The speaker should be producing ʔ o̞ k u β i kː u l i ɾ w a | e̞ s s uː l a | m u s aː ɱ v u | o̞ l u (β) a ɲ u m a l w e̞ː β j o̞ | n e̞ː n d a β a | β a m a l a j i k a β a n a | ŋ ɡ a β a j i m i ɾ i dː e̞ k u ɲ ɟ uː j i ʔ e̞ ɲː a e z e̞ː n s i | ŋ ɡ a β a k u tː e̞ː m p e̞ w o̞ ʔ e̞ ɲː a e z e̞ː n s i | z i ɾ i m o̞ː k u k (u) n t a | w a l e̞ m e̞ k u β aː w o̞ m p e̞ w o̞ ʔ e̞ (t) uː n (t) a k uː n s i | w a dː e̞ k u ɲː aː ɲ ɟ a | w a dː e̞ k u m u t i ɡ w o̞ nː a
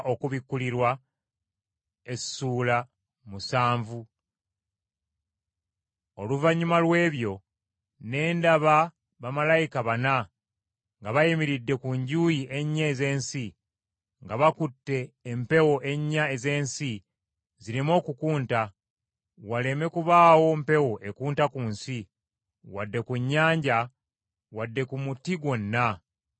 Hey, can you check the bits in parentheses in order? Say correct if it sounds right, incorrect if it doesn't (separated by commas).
incorrect, incorrect, incorrect, correct